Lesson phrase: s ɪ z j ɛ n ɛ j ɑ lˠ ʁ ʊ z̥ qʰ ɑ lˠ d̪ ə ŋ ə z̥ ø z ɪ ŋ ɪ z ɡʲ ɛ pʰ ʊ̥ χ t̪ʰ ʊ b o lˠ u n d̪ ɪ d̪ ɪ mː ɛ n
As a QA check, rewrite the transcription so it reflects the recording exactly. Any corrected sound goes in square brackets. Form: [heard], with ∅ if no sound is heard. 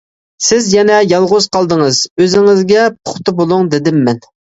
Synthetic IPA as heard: s ɪ z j ɛ n ɛ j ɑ lˠ ʁ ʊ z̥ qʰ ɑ lˠ d̪ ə ŋ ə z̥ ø z ɪ ŋ ɪ z ɡʲ ɛ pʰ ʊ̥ χ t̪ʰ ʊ b o lˠ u [ŋ] d̪ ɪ d̪ ɪ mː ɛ n